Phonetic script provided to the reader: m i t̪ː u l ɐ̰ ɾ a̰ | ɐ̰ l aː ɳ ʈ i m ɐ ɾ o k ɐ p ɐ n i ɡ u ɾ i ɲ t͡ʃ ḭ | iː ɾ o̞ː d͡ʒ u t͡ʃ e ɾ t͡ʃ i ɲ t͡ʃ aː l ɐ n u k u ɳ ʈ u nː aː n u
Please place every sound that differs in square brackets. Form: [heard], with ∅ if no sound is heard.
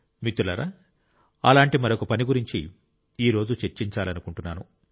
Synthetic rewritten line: m i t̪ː u l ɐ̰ ɾ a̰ | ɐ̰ l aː ɳ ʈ i m ɐ ɾ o k ɐ p ɐ n i ɡ u ɾ i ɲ t͡ʃ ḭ | iː ɾ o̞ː d͡ʒ u t͡ʃ e ɾ t͡ʃ i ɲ t͡ʃ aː l ɐ n u k u ɳ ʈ u nː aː n u

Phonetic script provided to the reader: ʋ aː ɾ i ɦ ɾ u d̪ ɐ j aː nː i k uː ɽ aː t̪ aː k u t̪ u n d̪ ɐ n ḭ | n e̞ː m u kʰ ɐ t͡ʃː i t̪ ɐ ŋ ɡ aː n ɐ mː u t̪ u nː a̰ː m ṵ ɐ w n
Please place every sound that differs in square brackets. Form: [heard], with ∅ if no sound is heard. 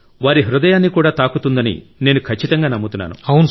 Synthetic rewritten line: ʋ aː ɾ i ɦ ɾ u d̪ ɐ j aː nː i k uː ɽ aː t̪ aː k u t̪ u n d̪ ɐ n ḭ | n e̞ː [n] u kʰ ɐ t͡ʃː i t̪ ɐ ŋ ɡ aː n ɐ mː u t̪ u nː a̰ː [n] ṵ ɐ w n

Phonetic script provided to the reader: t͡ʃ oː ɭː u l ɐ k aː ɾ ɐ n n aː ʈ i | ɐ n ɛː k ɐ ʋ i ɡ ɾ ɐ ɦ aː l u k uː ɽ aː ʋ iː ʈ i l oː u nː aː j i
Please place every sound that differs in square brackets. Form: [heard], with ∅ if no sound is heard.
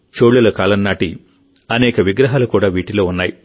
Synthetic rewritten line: t͡ʃ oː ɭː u l ɐ k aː [l] ɐ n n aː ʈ i | ɐ n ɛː k ɐ ʋ i ɡ ɾ ɐ ɦ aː l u k uː ɽ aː ʋ iː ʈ i l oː u nː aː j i

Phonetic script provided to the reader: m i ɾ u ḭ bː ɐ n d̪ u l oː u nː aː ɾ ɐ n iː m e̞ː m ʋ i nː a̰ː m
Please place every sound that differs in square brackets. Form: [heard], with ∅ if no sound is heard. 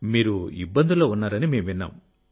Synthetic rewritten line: m [iː] ɾ u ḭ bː ɐ n d̪ u l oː u nː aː ɾ ɐ n [i] m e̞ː m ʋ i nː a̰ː m

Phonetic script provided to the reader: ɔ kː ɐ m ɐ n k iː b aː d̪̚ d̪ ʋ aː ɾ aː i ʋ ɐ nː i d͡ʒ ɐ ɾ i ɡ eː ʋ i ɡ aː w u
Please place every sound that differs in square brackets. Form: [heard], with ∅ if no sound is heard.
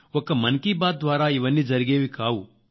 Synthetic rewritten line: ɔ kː ɐ m ɐ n k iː b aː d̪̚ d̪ ʋ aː ɾ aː i ʋ ɐ nː i d͡ʒ ɐ ɾ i ɡ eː ʋ i [k] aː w u

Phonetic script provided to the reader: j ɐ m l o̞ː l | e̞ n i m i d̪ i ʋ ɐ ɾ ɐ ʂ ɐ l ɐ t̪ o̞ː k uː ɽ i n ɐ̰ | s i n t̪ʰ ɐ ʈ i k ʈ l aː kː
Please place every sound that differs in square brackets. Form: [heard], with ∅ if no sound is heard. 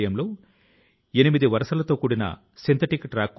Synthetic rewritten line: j ɐ m l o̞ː [∅] | e̞ n i m i d̪ i ʋ ɐ ɾ ɐ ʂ ɐ l ɐ t̪ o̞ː k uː ɽ i n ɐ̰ | s i n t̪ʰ ɐ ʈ i k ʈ [ɾ] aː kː

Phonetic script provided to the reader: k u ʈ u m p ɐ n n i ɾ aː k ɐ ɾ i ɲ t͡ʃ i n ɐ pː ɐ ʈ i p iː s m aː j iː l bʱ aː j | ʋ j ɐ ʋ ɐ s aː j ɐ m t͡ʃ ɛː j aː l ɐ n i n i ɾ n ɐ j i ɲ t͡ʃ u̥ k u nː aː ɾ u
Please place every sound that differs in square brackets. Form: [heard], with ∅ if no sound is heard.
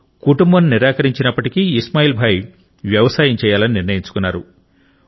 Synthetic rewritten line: k u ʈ u m [b] ɐ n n i ɾ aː k ɐ ɾ i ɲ t͡ʃ i n ɐ pː ɐ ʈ i [k] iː s m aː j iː l bʱ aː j | ʋ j ɐ ʋ ɐ s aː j ɐ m t͡ʃ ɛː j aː l ɐ n i n i ɾ n ɐ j i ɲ t͡ʃ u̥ k u nː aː ɾ u

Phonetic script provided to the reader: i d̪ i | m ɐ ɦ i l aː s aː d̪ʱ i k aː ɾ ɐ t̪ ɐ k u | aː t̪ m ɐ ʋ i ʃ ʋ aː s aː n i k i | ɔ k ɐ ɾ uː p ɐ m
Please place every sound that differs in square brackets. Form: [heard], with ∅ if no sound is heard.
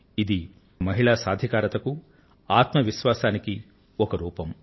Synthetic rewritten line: i d̪ i | m ɐ ɦ i [ɭ] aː s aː d̪ʱ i k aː ɾ ɐ t̪ ɐ k u | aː t̪ m ɐ ʋ i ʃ ʋ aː s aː n i k i | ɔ k ɐ ɾ uː p ɐ m

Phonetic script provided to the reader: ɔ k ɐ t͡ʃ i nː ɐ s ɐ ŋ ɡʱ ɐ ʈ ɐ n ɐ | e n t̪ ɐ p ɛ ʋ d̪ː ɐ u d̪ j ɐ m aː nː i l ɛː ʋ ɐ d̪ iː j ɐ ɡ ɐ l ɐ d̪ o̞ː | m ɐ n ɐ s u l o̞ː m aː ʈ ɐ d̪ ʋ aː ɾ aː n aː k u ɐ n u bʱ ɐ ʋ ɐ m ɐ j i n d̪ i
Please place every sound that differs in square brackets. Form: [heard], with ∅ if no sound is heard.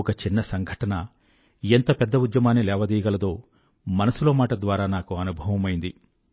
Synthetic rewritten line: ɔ k ɐ t͡ʃ i nː ɐ s ɐ ŋ ɡʱ ɐ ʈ ɐ n ɐ | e n t̪ ɐ p ɛ [∅] d̪ː ɐ u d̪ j ɐ m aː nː i l ɛː ʋ ɐ d̪ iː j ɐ ɡ ɐ l ɐ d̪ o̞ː | m ɐ n ɐ s u l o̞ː m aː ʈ ɐ d̪ ʋ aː ɾ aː n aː k u ɐ n u bʱ ɐ ʋ ɐ m ɐ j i n d̪ i

